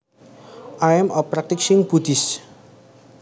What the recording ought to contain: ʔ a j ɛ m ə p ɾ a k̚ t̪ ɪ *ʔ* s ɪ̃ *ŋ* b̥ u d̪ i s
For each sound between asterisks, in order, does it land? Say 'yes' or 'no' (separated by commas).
no, yes